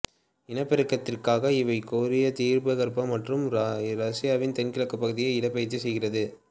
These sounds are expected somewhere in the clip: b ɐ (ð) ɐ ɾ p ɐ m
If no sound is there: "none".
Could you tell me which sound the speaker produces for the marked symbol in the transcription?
ɣ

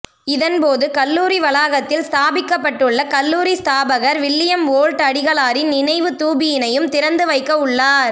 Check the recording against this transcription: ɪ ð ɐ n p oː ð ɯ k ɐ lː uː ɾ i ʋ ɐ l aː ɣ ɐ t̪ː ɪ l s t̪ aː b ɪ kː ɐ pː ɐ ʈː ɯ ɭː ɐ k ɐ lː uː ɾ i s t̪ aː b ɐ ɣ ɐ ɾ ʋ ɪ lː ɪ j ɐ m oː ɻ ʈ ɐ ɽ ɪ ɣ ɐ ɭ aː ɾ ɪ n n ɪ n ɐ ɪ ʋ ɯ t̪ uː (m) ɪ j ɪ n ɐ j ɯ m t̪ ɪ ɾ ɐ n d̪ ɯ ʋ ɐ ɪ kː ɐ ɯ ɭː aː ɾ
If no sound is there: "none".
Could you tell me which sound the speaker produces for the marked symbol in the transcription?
b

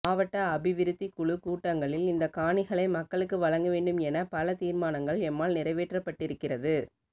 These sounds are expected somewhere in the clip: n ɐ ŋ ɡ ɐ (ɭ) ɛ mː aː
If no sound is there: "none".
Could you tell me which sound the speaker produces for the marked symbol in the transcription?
ɭ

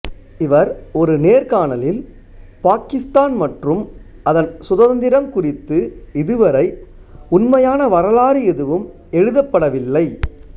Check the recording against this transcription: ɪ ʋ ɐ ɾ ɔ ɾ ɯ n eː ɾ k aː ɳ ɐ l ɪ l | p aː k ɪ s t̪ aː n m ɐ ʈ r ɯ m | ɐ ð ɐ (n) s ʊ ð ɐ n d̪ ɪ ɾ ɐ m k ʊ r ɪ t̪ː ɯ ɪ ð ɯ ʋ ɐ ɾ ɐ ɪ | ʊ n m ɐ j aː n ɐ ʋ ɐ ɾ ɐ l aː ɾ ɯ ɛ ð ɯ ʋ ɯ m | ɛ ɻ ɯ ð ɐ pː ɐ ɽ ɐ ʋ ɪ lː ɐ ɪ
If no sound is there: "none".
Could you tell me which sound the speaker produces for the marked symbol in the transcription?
n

